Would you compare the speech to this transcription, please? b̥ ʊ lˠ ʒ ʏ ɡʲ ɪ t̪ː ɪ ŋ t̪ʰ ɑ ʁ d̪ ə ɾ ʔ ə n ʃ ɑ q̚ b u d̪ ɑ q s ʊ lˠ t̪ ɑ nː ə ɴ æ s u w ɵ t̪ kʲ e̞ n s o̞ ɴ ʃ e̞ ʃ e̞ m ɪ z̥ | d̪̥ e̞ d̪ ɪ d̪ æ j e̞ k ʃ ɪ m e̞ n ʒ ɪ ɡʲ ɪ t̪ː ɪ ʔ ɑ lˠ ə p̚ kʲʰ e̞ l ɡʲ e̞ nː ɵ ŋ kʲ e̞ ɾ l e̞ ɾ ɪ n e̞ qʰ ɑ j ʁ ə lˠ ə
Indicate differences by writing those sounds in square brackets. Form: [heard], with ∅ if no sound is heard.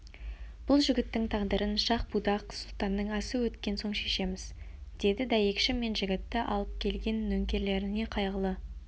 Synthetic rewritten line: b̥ ʊ lˠ ʒ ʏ ɡʲ ɪ t̪ː ɪ ŋ t̪ʰ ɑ ʁ d̪ ə ɾ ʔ ə n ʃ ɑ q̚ b u d̪ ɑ q s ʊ lˠ t̪ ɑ nː ə ɴ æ s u w ɵ t̪ kʲ e̞ n s o̞ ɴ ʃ e̞ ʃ e̞ m ɪ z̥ | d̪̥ e̞ d̪ ɪ d̪ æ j e̞ k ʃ ɪ m e̞ n ʒ ɪ ɡʲ ɪ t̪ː ɪ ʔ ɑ lˠ ə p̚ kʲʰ e̞ l ɡʲ e̞ nː ɵ ŋ kʲ e̞ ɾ l e̞ ɾ ɪ n e̞ qʰ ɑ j ʁ ə lˠ ə